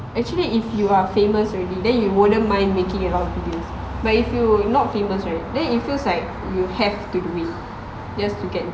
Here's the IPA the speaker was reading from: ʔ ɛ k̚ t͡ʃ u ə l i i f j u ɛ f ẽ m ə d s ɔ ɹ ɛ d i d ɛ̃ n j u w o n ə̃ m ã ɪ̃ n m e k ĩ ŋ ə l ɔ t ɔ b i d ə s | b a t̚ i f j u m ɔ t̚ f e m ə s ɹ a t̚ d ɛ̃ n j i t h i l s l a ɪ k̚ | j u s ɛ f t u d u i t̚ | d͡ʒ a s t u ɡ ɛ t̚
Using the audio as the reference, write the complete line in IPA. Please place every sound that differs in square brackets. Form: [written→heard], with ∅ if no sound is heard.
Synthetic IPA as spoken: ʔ ɛ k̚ t͡ʃ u ə l i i f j u [ɛ→a] f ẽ m ə [d→∅] s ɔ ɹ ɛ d i d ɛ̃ n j u w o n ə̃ m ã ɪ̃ n m e k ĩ ŋ ə l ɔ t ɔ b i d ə s | b a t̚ i f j u [m→n] ɔ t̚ f e m ə s ɹ a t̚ d ɛ̃ n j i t [h→f] i l s l a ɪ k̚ | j u [s→h] ɛ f t u d u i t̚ | d͡ʒ a s t u ɡ ɛ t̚